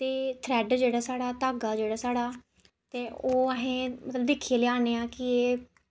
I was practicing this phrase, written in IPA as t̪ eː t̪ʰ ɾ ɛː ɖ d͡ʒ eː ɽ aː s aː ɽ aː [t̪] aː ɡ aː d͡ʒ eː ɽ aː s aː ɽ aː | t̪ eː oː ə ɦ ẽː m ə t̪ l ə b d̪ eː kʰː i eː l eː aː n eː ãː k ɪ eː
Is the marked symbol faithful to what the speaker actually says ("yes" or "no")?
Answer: yes